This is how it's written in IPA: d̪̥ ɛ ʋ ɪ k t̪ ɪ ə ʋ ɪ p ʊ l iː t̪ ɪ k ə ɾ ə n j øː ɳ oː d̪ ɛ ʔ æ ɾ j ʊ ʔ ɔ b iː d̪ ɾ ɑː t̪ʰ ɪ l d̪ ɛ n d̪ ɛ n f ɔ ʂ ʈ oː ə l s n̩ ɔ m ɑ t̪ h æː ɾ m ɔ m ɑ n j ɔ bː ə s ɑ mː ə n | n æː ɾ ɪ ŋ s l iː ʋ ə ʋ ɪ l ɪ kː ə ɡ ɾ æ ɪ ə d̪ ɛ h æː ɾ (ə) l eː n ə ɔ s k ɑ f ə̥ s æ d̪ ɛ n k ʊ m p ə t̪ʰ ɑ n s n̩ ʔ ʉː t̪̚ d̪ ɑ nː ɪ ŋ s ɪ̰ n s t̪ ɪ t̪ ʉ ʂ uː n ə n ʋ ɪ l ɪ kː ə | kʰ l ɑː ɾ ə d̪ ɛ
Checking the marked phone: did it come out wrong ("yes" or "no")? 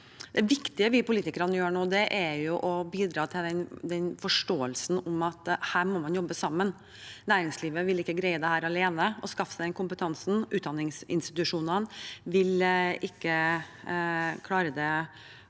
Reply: yes